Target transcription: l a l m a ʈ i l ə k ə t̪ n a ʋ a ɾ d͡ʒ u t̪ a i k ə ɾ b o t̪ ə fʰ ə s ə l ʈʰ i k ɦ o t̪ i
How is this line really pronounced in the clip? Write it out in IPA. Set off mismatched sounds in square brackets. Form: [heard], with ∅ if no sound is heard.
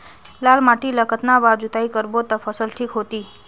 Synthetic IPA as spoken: l a l m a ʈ i l ə k ə t̪ n a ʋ a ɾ d͡ʒ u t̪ a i k ə ɾ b o t̪ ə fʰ ə s ə l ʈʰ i k ɦ o t̪ i